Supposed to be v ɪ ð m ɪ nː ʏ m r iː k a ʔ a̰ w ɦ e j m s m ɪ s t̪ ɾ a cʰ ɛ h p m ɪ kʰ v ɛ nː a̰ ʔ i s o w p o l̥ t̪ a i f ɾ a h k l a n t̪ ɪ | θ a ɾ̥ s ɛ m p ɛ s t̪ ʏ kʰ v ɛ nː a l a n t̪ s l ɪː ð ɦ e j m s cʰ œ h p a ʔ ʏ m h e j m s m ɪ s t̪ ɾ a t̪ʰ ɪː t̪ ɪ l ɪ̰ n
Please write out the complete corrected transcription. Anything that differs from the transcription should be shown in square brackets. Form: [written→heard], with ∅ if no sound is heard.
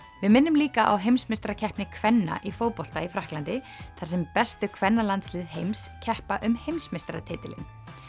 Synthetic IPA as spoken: v ɪ ð m ɪ nː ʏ m [r→l] iː k a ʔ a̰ w ɦ e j m s m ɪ s t̪ ɾ a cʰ ɛ h p [m→n] ɪ kʰ v ɛ nː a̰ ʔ i [s→f] o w p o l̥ t̪ a i f ɾ a h k l a n t̪ ɪ | θ a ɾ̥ s ɛ m p ɛ s t̪ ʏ kʰ v ɛ nː a l a n t̪ s l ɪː ð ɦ e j m s cʰ [œ→ɛ] h p a ʔ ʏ m h e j m s m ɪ s t̪ ɾ a t̪ʰ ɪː t̪ ɪ l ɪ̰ n

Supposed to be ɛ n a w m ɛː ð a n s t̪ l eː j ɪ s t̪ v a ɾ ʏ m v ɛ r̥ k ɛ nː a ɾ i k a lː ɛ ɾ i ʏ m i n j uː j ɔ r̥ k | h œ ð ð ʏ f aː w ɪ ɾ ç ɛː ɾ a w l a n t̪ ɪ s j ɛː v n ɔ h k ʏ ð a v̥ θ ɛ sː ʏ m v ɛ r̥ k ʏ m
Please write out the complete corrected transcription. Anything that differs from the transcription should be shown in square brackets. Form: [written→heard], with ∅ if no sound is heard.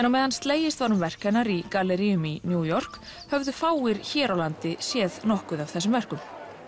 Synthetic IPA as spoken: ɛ n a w m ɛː ð a n s t̪ l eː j ɪ s t̪ v a ɾ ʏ m v ɛ r̥ k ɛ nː a ɾ i k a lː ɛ ɾ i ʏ m i n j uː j ɔ r̥ k | h œ [ð→v] ð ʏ f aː w ɪ ɾ ç ɛː ɾ a w l a n t̪ ɪ s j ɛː [v→ð] n ɔ h k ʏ ð a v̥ θ ɛ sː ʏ m v ɛ r̥ k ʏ m

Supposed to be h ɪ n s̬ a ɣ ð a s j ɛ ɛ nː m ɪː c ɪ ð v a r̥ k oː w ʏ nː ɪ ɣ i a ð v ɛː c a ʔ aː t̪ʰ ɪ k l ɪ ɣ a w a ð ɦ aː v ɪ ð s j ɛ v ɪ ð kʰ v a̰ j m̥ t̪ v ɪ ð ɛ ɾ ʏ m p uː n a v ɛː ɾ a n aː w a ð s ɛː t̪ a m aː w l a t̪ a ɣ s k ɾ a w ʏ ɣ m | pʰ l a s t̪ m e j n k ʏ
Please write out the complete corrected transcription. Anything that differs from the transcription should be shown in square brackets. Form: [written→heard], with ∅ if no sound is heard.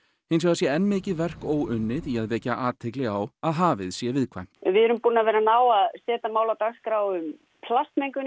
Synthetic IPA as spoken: h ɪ n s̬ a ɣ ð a s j ɛ ɛ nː m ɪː c ɪ ð v [a→ɛ] r̥ k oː w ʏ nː ɪ [ɣ→ð] i a ð v ɛː c a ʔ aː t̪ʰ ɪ k l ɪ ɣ a w a ð ɦ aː v ɪ ð s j ɛ v ɪ ð kʰ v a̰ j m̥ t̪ v ɪ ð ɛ ɾ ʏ m p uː n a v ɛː ɾ a n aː w a ð s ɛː t̪ a m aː w l a t̪ a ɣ s k ɾ a w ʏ [ɣ→∅] m | pʰ l a s t̪ m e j [n→ŋ] k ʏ

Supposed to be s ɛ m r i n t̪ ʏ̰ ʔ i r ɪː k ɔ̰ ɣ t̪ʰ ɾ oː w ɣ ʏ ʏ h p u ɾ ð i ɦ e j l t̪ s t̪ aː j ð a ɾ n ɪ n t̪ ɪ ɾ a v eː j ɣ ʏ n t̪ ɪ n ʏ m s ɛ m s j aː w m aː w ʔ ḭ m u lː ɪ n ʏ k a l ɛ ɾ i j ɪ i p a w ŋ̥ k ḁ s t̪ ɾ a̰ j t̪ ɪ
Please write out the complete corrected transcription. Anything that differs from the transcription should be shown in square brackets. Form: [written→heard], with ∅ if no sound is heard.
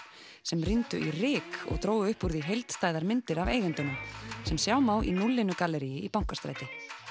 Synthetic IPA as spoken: s ɛ m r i n t̪ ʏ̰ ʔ i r ɪː k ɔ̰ ɣ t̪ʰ ɾ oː w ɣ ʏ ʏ h p u ɾ ð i ɦ e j l t̪ s t̪ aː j ð a ɾ [n→m] ɪ n t̪ ɪ ɾ a v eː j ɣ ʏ n t̪ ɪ n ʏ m s ɛ m s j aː w m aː w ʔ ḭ [m→n] u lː ɪ n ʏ k a l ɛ ɾ i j ɪ i p a w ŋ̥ k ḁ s t̪ ɾ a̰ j t̪ ɪ

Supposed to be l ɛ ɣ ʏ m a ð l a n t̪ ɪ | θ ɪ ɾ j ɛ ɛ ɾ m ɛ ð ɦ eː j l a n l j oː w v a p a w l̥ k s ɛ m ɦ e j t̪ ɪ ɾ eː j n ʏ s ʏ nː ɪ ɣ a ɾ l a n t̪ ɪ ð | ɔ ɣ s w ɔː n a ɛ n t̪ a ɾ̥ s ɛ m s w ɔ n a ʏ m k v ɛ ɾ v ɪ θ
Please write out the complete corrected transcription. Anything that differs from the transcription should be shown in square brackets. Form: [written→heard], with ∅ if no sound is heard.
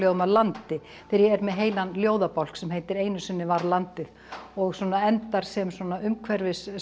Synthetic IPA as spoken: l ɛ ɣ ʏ m a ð l a n t̪ ɪ | θ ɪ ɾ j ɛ ɛ ɾ m ɛ ð ɦ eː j l a n l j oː w [v→ð] a p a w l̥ k s ɛ m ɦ e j t̪ ɪ ɾ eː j n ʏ s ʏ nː ɪ [ɣ→v] a ɾ l a n t̪ ɪ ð | ɔ ɣ s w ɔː n a ɛ n t̪ a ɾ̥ s ɛ m s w ɔ n a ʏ m [k→kʰ] v ɛ ɾ v ɪ [θ→s]

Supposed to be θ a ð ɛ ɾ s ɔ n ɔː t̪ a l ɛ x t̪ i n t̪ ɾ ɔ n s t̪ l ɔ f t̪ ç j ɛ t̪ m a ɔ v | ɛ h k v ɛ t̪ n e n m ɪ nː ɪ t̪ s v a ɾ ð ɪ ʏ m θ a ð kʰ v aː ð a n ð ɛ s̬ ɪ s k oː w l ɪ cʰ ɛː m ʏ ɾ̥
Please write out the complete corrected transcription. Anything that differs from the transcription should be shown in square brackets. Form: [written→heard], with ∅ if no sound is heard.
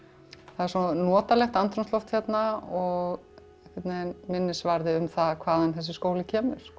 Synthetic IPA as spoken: θ a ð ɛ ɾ s ɔ n ɔː t̪ a l ɛ x t̪ [i→a] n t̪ ɾ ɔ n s t̪ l ɔ f t̪ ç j ɛ t̪ [m→n] a ɔ [v→ɣ] | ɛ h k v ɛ t̪ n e n m ɪ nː ɪ [t̪→∅] s v a ɾ ð ɪ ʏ m θ a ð kʰ v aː ð a n [ð→θ] ɛ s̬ ɪ s k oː w l ɪ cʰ ɛː m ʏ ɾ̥

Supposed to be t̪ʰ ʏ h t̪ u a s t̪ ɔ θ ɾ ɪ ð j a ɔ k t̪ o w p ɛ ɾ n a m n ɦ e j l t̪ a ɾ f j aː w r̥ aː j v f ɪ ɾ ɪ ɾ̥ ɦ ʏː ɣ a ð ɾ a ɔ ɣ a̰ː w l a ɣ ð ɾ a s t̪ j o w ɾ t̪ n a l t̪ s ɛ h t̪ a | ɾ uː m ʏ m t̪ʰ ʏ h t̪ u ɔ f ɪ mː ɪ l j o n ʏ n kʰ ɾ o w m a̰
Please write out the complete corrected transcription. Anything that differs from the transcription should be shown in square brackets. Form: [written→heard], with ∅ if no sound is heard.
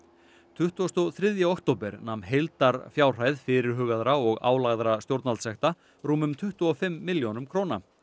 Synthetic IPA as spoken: t̪ʰ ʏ h t̪ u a s t̪ ɔ θ ɾ ɪ ð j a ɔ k t̪ o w p ɛ ɾ n a m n ɦ e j l t̪ a ɾ f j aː w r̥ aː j [v→ð] f ɪ ɾ ɪ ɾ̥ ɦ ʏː ɣ a ð ɾ a ɔ ɣ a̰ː w l a ɣ ð ɾ a s t̪ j o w ɾ t̪ n a l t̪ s ɛ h t̪ a | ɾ uː m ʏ m t̪ʰ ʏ h t̪ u ɔ f ɪ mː ɪ l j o n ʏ [n→m] kʰ ɾ o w [m→n] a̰

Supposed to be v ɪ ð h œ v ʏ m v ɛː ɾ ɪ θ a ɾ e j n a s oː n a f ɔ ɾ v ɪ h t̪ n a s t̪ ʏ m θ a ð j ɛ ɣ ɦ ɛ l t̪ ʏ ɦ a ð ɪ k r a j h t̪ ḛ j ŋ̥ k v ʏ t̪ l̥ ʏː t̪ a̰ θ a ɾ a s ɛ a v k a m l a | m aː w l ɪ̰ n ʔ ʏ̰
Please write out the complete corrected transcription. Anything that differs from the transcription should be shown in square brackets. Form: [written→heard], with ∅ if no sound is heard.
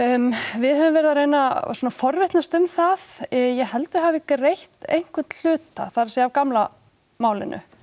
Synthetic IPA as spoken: v ɪ ð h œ v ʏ m v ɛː ɾ ɪ [θ→ð] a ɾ e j n a s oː n a f ɔ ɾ v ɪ h t̪ n a s t̪ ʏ m θ a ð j ɛ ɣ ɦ ɛ l t̪ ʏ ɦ a [ð→v] ɪ k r [a→e] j h t̪ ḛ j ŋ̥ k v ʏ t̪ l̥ ʏː t̪ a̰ θ a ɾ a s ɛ a v k a m l a | m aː w l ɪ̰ n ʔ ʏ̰

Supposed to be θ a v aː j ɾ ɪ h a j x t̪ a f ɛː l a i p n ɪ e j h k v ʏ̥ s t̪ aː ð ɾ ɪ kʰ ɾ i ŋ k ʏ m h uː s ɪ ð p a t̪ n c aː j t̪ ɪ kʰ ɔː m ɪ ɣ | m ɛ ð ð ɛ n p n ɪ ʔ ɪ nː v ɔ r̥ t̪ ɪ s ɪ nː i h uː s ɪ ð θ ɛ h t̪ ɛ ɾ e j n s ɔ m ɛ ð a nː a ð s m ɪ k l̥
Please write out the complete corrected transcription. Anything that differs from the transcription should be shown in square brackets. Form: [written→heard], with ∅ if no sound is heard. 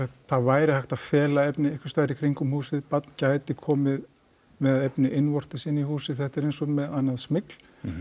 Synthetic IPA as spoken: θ a v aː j ɾ ɪ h a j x t̪ a f ɛː l a [i→ɛ] p n ɪ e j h k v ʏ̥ s t̪ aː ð ɾ ɪ kʰ ɾ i ŋ k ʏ m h uː s ɪ ð p a t̪ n c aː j t̪ ɪ kʰ ɔː m ɪ [ɣ→ð] | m ɛ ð ð ɛ [n→∅] p n ɪ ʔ ɪ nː v ɔ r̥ t̪ ɪ s ɪ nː i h uː s ɪ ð θ ɛ h t̪ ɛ ɾ e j n s ɔ m ɛ ð a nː a ð s m ɪ k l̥

